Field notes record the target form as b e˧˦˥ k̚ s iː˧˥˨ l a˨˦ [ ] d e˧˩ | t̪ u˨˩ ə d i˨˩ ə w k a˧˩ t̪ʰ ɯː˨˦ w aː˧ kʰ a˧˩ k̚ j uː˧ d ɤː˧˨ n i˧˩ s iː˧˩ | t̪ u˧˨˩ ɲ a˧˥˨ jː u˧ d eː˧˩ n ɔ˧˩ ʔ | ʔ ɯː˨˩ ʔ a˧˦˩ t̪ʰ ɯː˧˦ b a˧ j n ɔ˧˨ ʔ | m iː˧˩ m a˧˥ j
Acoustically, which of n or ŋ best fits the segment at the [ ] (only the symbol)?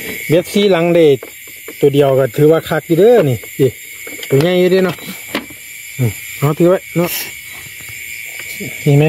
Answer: ŋ